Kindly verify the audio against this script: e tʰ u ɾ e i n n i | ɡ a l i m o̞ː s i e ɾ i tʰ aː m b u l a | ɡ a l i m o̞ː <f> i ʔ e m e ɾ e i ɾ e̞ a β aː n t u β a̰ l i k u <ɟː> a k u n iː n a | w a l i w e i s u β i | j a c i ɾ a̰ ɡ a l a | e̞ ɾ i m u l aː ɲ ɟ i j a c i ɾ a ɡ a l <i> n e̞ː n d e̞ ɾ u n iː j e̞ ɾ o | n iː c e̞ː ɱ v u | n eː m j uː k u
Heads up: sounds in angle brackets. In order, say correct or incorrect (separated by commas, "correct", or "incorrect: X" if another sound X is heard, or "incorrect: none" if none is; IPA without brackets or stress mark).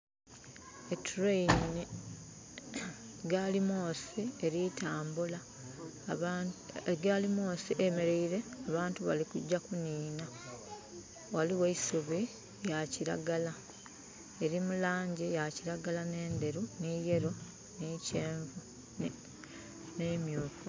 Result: incorrect: s, correct, incorrect: a